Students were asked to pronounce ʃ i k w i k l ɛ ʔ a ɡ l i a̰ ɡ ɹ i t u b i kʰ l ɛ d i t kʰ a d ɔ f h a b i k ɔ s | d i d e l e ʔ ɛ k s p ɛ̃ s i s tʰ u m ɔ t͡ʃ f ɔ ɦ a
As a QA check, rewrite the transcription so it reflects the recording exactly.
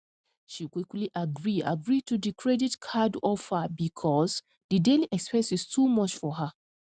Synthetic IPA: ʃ i k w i k l i ʔ a ɡ ɹ i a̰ ɡ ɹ i t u d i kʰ ɹ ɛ d i t kʰ a d ɔ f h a b i kʰ ɔ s | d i d e l i ʔ ɛ k s p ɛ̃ s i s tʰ u m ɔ t͡ʃ f ɔ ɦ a